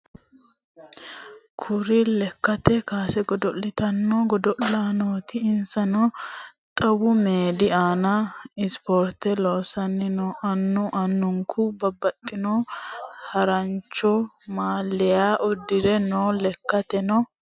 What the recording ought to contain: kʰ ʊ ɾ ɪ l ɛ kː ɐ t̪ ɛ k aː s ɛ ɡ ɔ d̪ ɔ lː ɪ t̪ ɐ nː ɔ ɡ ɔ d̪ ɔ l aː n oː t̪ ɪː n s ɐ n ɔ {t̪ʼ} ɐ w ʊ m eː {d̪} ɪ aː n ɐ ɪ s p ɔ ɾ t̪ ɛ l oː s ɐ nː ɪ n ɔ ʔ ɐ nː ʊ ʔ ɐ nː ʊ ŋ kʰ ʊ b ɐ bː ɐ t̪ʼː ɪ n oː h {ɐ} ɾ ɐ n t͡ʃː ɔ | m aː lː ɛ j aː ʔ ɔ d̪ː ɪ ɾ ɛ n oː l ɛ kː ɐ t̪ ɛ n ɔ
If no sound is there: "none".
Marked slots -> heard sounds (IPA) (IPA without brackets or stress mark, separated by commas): t̪ʼ, d̪, ɐ